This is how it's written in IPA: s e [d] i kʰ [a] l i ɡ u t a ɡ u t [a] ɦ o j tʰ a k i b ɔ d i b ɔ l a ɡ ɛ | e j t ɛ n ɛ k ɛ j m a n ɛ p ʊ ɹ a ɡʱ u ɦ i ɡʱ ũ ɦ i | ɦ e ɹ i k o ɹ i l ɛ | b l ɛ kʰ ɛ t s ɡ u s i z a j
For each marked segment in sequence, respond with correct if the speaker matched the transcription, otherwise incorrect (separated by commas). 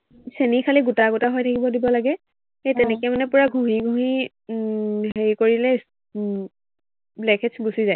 incorrect, correct, correct